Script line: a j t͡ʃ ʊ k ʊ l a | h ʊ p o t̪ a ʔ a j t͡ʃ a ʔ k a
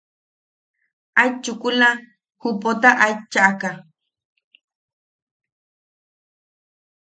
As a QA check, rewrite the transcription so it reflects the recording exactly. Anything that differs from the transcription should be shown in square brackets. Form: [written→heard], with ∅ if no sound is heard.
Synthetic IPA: a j t͡ʃ ʊ k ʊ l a | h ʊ p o t̪ a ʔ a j t͡ʃ a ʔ k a